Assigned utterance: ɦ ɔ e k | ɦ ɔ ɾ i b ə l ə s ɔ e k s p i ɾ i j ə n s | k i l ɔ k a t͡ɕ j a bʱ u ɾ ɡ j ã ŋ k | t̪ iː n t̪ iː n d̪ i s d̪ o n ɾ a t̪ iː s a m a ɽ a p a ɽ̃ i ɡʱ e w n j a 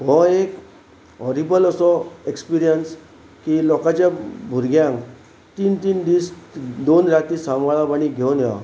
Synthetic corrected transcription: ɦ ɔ e k | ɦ ɔ ɾ i b ə l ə s ɔ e k s p i ɾ i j ə n s | k i l ɔ k a t͡ɕ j a bʱ u ɾ ɡ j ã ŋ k | t̪ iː n t̪ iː n d̪ i s d̪ o n ɾ a t̪ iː s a m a ɭ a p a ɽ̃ i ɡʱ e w n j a